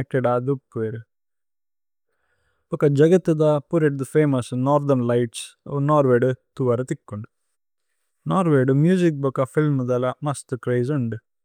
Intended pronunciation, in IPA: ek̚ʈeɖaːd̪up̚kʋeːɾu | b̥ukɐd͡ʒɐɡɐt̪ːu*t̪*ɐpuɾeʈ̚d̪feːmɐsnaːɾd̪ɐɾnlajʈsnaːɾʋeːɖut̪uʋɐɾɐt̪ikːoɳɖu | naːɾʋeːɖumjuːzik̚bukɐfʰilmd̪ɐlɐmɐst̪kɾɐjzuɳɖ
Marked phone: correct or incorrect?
incorrect: d̪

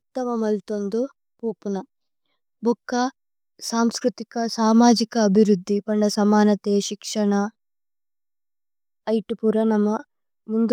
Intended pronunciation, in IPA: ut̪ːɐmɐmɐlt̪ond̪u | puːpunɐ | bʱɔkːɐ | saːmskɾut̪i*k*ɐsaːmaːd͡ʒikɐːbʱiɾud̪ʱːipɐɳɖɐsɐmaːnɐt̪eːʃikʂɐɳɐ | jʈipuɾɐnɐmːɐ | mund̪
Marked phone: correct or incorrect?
correct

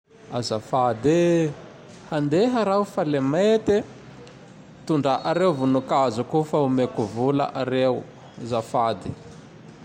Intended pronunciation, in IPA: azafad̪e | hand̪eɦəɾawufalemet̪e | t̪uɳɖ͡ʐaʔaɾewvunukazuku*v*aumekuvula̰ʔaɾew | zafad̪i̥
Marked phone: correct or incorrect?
incorrect: f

